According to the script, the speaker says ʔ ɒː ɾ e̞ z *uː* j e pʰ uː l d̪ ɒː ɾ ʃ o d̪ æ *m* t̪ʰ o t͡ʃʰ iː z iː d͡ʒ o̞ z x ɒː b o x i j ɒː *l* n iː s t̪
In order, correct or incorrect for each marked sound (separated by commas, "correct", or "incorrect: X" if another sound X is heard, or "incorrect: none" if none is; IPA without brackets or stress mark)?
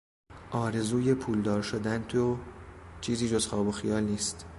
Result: correct, incorrect: n, correct